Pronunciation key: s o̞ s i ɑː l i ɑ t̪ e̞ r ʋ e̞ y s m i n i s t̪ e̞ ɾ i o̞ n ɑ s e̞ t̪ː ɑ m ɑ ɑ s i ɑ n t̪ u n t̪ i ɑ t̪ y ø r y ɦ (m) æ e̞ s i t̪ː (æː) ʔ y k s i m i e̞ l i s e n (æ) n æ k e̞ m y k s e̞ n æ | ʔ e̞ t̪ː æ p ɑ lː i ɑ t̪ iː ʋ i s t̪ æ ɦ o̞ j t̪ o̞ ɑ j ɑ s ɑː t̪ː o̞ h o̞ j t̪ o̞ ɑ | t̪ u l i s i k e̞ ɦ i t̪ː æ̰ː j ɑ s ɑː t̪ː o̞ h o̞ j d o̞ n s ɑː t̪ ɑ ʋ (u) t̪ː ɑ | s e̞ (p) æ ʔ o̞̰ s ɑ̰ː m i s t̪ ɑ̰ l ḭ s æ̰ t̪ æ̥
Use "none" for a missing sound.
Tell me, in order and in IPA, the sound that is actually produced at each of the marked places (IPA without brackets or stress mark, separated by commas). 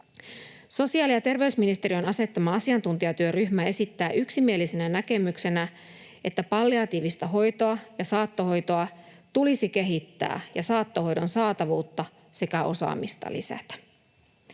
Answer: m, æː, æ, uː, k